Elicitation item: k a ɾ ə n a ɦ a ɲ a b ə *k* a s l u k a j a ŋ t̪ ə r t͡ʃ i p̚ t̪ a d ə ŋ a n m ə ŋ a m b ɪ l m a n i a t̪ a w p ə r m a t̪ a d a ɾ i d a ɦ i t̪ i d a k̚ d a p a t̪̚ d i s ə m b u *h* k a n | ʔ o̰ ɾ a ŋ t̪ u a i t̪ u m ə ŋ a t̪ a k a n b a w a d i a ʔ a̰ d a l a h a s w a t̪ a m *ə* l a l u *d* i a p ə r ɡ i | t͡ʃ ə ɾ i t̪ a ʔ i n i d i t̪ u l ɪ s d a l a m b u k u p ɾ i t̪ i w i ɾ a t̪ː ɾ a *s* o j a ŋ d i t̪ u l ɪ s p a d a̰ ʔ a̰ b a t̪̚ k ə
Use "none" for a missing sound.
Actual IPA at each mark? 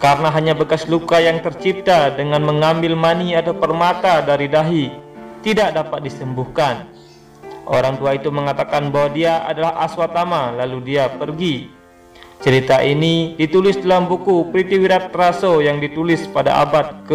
k, h, a, d, s

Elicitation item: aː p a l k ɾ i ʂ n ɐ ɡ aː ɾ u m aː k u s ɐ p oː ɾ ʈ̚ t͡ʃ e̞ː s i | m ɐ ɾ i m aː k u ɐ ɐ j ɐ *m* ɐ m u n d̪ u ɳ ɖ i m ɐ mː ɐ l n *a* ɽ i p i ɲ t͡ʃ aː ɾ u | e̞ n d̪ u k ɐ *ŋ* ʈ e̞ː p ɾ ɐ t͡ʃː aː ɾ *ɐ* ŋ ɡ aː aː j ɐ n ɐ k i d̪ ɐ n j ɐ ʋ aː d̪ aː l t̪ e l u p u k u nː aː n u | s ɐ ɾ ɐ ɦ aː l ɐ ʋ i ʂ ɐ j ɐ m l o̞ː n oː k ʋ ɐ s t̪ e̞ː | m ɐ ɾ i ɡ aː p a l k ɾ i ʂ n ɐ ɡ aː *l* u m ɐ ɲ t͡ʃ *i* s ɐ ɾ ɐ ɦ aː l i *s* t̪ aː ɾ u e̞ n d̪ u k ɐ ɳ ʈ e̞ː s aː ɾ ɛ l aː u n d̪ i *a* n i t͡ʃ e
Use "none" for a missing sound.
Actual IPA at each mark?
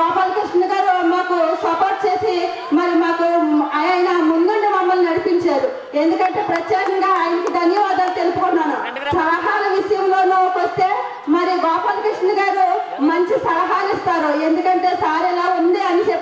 n, ɐ, ɳ, ɐ, ɾ, i, s, ɐ

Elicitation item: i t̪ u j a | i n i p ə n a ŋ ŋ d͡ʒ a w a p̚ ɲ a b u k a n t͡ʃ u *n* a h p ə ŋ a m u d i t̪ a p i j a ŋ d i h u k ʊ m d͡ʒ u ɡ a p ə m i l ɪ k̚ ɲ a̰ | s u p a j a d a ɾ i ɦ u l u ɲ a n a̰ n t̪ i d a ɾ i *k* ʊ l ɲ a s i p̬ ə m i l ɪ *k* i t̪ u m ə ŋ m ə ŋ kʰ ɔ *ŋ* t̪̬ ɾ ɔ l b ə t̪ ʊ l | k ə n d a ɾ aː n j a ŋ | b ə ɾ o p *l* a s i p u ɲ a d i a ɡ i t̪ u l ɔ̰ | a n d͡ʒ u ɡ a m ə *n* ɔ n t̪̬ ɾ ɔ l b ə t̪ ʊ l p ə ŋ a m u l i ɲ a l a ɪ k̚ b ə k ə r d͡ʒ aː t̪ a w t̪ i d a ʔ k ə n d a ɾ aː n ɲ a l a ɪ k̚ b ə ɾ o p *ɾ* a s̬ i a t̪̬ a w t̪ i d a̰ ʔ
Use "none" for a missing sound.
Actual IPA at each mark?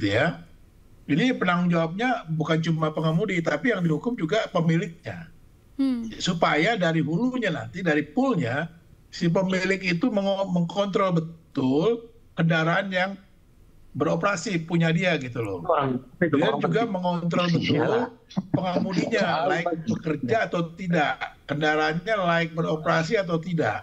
m, p, k, n, ɾ, ŋ, ɾ

